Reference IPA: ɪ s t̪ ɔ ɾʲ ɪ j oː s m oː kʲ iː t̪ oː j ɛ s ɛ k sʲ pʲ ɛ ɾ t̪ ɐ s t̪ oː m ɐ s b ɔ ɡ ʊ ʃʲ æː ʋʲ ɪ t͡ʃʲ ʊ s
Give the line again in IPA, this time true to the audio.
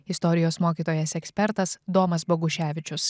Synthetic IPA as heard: ɪ s t̪ ɔ ɾʲ ɪ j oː s m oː kʲ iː t̪ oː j ɛ s ɛ k sʲ pʲ ɛ ɾ t̪ ɐ s d̪ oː m ɐ s b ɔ ɡ ʊ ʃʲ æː ʋʲ ɪ t͡ʃʲ ʊ s